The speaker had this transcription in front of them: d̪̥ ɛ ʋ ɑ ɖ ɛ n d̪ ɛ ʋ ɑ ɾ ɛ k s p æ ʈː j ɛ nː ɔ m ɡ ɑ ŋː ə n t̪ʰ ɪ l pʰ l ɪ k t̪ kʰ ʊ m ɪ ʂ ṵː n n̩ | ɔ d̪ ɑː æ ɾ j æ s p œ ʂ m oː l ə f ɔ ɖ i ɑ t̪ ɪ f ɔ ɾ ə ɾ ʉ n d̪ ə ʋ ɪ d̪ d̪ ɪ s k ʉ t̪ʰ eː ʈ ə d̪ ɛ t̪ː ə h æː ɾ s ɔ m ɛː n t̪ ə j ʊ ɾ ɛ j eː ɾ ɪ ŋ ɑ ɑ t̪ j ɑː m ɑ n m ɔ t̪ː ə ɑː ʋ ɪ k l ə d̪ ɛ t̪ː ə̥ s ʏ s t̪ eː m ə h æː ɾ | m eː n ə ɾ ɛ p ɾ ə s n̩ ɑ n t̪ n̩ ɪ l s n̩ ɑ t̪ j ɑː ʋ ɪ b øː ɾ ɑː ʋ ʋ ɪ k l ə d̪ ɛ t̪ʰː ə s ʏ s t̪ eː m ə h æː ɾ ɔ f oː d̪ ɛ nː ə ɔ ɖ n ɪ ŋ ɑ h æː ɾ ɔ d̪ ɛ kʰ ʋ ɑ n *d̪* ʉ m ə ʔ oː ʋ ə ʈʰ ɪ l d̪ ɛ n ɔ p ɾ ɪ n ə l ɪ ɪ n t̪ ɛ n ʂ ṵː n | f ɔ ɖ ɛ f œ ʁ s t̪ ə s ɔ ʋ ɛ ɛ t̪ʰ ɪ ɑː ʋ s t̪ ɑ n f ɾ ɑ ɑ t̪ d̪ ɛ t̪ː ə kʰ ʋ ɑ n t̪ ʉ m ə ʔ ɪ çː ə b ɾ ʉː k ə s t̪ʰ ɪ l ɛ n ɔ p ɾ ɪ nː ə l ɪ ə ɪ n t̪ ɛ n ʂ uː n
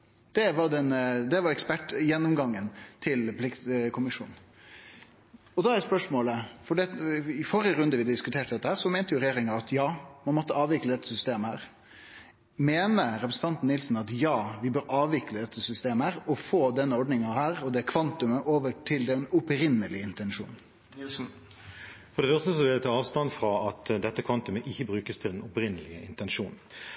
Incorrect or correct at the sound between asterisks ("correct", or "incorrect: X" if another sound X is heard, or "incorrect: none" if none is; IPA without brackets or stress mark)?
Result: incorrect: t̪